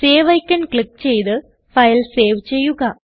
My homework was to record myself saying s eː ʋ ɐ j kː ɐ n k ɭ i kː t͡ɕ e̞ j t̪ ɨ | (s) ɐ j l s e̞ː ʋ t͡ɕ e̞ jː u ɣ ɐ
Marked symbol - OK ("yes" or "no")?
no